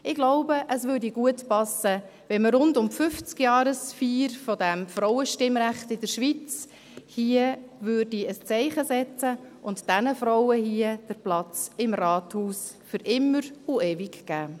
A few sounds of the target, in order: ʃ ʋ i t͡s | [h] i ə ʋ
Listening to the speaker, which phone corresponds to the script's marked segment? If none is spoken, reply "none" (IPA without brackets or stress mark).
h